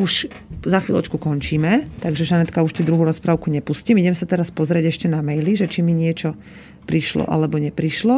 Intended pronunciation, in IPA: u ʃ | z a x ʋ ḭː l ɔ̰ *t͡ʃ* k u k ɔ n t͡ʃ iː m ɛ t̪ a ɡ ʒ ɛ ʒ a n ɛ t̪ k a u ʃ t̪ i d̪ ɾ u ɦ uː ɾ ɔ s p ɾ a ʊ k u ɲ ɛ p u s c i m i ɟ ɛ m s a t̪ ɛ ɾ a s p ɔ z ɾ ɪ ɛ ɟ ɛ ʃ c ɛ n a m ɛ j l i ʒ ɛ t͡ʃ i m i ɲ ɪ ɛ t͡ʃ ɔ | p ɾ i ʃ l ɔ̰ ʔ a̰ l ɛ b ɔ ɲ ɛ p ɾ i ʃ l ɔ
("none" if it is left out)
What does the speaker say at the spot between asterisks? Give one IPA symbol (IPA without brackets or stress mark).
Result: t͡ʃ